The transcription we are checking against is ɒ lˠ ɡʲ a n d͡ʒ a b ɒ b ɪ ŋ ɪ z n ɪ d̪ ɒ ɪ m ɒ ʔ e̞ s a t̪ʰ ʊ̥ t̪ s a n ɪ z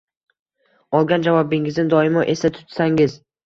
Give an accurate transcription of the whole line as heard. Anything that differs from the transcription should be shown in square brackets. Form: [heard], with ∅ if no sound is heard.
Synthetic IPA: ɒ lˠ ɡʲ a n d͡ʒ a [v] ɒ b ɪ ŋ ɪ z n ɪ d̪ ɒ ɪ m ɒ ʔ e̞ s a t̪ʰ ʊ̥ t̪ s a [ŋ] ɪ z